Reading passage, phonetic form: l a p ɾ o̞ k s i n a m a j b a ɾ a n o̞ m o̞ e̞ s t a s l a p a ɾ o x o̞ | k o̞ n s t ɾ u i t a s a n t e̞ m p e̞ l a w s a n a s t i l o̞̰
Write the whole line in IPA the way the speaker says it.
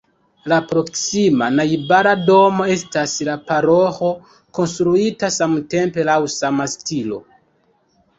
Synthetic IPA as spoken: l a p ɾ o̞ k s i m a n a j b a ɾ a d o̞ m o̞ e̞ s t a s l a p a ɾ o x o̞ | k o̞ n s t ɾ u i t a s a m t e̞ m p e̞ l a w s a m a s t i l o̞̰